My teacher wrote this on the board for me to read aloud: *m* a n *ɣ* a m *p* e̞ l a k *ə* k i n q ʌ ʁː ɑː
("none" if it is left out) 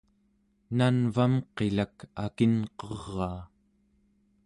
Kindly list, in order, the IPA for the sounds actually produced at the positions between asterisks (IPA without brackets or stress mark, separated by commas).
n, v, q, a